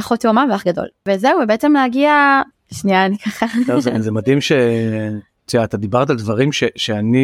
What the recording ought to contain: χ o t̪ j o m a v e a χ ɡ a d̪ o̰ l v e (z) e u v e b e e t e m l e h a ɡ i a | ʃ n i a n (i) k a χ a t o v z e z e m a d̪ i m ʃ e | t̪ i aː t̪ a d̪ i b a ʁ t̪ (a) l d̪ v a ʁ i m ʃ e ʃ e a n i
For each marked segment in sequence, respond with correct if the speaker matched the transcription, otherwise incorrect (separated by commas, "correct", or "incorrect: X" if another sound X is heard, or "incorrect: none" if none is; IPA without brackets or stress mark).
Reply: correct, correct, correct